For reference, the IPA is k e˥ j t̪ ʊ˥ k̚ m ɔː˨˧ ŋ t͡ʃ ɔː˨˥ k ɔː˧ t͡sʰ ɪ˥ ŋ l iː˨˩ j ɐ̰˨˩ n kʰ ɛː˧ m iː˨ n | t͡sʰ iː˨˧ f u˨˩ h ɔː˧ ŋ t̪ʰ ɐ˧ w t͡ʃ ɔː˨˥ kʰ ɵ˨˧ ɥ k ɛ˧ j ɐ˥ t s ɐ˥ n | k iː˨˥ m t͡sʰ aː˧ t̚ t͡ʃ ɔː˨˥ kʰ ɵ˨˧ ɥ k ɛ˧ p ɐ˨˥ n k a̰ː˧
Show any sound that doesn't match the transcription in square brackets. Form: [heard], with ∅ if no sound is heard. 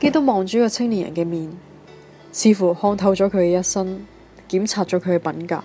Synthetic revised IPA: k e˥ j t̪ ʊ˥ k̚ m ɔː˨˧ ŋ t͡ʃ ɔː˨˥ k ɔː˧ t͡sʰ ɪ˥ ŋ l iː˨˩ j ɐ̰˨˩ n [k] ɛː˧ m iː˨ n | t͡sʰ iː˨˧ f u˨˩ h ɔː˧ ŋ t̪ʰ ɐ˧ w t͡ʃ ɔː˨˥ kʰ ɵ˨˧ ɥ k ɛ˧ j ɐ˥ t s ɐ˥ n | k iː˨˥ m t͡sʰ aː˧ t̚ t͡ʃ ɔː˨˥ kʰ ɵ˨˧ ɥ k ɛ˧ p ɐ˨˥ n k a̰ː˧